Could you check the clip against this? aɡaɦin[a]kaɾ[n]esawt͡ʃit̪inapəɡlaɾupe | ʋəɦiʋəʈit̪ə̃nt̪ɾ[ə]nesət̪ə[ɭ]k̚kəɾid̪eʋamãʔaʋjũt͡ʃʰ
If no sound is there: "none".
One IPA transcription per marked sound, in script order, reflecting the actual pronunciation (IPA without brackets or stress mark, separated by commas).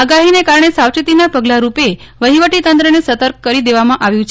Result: e, ɳ, ə, ɾ